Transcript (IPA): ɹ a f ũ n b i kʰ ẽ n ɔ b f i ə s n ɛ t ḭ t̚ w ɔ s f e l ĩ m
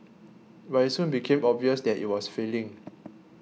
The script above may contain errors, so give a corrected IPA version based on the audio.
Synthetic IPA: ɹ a s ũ n b i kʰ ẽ m ɔ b v i ə s d ɛ t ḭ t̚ w ɔ s f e l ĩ ŋ